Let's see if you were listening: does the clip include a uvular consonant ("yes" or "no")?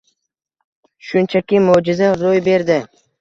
no